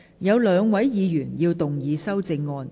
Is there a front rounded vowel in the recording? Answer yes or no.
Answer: yes